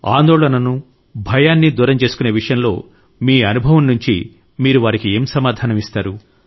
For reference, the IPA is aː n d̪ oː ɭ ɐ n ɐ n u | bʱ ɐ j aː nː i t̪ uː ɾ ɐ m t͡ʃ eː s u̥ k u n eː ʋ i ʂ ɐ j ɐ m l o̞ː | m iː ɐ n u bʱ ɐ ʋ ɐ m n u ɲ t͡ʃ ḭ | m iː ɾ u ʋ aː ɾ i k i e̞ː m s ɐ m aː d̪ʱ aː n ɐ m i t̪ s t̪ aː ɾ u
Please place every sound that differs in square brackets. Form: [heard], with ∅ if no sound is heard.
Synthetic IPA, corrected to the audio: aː n d̪ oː ɭ ɐ n ɐ n u | bʱ ɐ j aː nː i [d̪] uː ɾ ɐ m t͡ʃ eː s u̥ k u n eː ʋ i ʂ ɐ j ɐ m l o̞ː | m iː ɐ n u bʱ ɐ ʋ ɐ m n u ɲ t͡ʃ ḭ | m iː ɾ u ʋ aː ɾ i k i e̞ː m s ɐ m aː d̪ʱ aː n ɐ m i [∅] s t̪ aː ɾ u